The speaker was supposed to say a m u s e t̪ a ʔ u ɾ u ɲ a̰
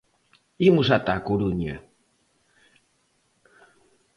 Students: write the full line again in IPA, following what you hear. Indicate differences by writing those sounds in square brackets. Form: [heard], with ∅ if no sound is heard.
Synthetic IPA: [i] m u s [a] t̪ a [k] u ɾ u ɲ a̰